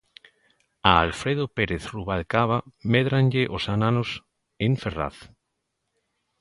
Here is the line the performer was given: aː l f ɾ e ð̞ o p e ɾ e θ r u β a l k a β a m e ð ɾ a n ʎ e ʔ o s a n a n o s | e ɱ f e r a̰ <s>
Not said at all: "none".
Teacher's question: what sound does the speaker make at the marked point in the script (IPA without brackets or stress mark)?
θ